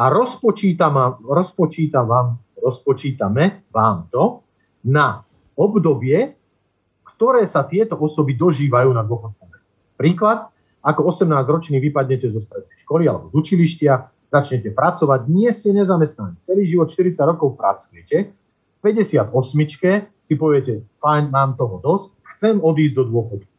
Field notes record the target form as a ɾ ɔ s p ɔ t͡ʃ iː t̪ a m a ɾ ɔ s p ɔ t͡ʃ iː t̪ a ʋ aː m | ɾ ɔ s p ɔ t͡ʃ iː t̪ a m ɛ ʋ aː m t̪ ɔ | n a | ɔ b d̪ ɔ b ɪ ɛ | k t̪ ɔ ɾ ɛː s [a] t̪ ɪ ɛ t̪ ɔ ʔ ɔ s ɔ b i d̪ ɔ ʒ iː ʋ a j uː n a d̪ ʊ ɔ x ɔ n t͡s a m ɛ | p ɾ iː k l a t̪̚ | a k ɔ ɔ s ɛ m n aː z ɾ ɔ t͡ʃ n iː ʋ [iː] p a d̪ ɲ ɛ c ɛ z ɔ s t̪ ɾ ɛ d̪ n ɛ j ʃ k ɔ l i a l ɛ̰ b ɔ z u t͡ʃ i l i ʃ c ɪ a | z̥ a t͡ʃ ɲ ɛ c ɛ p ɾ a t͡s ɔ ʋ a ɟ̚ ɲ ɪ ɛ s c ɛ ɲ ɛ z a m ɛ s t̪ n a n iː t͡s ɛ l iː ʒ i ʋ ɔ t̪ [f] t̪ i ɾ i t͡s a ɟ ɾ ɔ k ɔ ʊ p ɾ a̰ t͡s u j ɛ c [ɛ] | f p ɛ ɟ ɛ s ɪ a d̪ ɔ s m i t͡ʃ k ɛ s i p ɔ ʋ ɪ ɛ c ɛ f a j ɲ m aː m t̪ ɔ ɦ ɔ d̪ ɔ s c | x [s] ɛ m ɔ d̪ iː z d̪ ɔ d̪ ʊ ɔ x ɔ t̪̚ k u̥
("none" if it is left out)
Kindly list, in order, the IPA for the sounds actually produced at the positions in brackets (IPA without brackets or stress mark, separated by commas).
a, i, ʃ, ɛ, t͡s